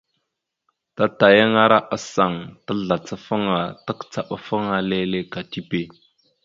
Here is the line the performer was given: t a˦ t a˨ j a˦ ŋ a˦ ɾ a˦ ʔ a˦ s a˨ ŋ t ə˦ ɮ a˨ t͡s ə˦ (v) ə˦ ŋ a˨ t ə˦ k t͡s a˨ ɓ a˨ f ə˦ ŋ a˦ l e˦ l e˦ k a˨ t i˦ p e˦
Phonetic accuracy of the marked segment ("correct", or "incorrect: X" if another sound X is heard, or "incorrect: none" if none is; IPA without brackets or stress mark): incorrect: f